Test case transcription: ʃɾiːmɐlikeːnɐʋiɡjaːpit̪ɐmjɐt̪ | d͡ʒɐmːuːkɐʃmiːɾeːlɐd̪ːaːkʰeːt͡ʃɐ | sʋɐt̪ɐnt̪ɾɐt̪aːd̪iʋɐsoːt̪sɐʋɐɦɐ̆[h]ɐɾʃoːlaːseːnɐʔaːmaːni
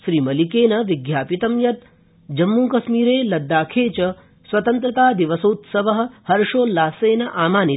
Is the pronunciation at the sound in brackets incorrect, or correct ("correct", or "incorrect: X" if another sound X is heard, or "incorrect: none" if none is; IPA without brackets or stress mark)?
correct